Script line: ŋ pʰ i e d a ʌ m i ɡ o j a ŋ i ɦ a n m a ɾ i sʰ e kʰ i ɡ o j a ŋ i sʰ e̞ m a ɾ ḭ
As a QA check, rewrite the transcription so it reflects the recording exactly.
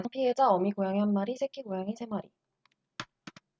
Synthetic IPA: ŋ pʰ i e d͡ʑ a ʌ m i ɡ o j a ŋ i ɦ a n m a ɾ i sʰ e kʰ i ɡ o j a ŋ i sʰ e̞ m a ɾ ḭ